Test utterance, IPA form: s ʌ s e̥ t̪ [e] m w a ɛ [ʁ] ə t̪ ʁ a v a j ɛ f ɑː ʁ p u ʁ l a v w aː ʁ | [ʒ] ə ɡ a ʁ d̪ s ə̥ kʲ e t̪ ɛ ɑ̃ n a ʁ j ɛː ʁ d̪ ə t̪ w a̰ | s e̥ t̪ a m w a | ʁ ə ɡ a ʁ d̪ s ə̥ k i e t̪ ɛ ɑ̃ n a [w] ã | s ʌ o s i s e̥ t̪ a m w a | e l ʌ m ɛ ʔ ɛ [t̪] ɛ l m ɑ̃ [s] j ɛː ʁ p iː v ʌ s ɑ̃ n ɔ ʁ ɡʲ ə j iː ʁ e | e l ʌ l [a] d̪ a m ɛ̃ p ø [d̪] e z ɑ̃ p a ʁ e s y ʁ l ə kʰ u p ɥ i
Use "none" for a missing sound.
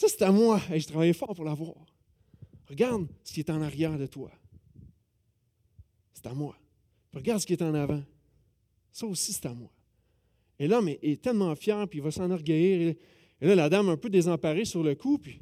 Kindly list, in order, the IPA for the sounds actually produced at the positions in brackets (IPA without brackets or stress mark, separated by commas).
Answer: a, ʒ, ʁ, v, t̪, f, a, d̪